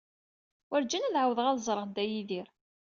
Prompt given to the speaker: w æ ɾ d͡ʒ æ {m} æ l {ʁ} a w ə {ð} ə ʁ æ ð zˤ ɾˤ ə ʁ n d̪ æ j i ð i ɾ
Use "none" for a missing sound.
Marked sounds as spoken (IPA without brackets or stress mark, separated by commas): n, ʕ, ð